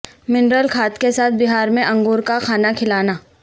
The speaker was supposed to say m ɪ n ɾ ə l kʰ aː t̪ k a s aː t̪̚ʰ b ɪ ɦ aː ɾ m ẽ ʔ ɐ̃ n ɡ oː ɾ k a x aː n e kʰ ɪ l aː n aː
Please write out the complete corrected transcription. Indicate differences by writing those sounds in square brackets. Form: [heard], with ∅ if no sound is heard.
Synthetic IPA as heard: m ɪ n ɾ ə l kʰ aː t̪ k [e] s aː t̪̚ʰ b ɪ ɦ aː ɾ m ẽ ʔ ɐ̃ [ŋ] ɡ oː ɾ k a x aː n [a] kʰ ɪ l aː n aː